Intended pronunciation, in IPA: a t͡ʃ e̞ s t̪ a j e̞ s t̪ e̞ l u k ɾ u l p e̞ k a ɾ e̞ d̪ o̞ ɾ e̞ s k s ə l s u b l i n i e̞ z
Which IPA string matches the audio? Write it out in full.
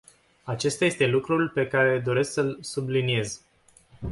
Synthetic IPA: a t͡ʃ e̞ s t̪ a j e̞ s t̪ e̞ l u k ɾ u l p e̞ k a ɾ e̞ d̪ o̞ ɾ e̞ s k s ə l s u b l i n i e̞ z

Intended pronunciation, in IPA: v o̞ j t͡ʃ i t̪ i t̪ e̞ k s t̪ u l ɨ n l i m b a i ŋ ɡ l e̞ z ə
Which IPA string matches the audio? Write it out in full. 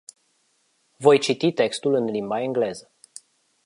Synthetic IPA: v o̞ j t͡ʃ i t̪ i t̪ e̞ k s t̪ u l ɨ n l i m b a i ŋ ɡ l e̞ z ə

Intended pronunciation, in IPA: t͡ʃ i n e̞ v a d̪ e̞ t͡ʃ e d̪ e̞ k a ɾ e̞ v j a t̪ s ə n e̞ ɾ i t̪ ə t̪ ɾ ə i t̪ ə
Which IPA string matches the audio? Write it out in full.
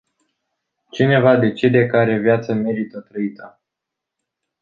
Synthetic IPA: t͡ʃ i n e̞ v a d̪ e̞ t͡ʃ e d̪ e̞ k a ɾ e̞ v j a t̪ s ə m e̞ ɾ i t̪ ə t̪ ɾ ə i t̪ ə

